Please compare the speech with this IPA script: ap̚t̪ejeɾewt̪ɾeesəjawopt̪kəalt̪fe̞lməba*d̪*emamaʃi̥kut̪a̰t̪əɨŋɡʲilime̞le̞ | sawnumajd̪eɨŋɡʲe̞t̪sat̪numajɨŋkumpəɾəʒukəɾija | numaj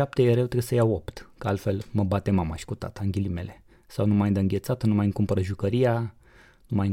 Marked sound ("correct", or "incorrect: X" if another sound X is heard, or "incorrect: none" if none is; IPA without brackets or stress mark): incorrect: t̪